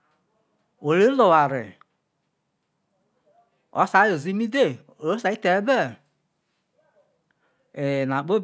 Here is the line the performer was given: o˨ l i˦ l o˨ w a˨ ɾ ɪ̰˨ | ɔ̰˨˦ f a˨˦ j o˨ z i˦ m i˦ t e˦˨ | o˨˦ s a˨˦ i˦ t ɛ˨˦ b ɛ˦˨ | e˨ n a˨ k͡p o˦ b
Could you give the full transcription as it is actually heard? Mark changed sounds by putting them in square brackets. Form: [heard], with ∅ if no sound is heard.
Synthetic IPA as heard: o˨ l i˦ l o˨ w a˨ ɾ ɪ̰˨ | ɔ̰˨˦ [s] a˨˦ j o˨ z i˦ m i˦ [d] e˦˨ | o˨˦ s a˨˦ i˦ t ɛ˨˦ b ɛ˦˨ | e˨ n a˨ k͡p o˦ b